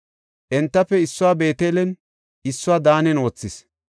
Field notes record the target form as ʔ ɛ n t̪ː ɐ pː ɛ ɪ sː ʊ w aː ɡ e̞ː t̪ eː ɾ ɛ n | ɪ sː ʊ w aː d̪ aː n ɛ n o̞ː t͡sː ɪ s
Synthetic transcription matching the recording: ʔ ɛ n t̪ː ɐ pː ɛ ɪ sː ʊ w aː b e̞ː t̪ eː l ɛ n | ɪ sː ʊ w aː d̪ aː n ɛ n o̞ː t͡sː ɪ s